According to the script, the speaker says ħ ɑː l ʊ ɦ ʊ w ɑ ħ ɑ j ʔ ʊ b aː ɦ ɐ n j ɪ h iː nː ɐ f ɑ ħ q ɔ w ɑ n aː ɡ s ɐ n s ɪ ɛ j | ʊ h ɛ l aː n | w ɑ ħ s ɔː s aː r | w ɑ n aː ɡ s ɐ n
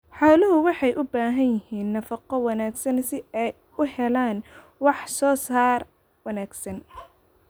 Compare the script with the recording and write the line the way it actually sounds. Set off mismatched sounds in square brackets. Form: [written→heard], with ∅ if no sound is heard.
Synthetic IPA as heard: ħ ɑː l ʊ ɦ ʊ w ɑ ħ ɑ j ʔ ʊ b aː ɦ ɐ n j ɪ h iː nː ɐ f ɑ [ħ→∅] q ɔ w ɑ n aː ɡ s ɐ n s ɪ ɛ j | ʊ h ɛ l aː n | w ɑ ħ s ɔː s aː r | w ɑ n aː ɡ s ɐ n